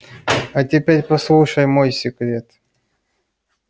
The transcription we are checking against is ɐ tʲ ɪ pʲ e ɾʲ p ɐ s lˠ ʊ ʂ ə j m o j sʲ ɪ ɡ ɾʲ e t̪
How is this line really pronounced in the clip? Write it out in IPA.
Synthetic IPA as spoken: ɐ tʲ ɪ pʲ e ɾʲ p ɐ s lˠ u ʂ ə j m o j sʲ ɪ k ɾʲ e t̪